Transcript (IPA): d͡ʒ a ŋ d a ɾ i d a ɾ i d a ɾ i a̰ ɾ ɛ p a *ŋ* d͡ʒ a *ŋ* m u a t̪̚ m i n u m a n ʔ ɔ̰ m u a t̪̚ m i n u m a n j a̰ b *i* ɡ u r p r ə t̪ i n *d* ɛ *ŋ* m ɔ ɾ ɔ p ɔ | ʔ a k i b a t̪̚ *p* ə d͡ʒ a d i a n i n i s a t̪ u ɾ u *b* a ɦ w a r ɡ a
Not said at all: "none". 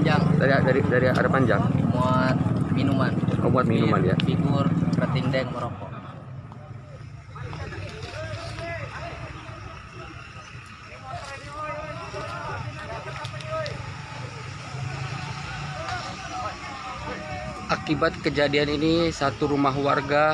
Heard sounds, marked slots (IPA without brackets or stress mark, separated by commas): ɲ, ŋ, i, d, ŋ, k, m